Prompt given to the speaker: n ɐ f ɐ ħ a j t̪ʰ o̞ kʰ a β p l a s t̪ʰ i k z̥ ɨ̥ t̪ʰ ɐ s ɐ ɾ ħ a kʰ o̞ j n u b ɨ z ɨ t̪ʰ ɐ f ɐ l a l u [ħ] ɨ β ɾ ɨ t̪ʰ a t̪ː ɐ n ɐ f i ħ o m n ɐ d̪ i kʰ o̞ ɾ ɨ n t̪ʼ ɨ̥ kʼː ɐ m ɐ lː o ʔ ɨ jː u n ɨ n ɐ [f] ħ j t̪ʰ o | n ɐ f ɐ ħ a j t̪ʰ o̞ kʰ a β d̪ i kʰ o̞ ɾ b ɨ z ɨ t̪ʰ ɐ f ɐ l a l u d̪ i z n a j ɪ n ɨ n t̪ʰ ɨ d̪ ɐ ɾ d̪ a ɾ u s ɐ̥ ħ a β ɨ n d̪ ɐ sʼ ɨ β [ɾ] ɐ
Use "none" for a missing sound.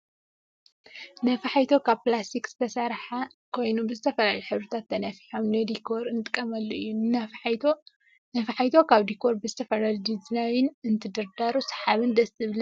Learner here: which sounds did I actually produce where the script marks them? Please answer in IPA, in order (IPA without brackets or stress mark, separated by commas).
ħ, f, l